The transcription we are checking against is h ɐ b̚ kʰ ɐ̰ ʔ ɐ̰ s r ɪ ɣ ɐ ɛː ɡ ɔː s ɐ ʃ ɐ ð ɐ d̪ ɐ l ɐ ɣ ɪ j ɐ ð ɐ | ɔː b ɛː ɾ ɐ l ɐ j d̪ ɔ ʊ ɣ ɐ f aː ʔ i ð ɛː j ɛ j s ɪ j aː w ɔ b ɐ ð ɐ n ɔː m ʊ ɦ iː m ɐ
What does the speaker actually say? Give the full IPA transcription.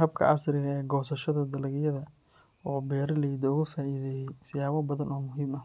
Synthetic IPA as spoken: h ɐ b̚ kʰ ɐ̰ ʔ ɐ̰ s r ɪ ɣ ɐ ɛː ɡ ɔː s ɐ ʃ ɐ ð ɐ d̪ ɐ l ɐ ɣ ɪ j ɐ ð ɐ | ɔː b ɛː ɾ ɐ l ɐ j d̪ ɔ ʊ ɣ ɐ f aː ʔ i ð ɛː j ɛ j s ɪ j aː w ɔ b ɐ ð ɐ n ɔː m ʊ ɦ iː m ɐ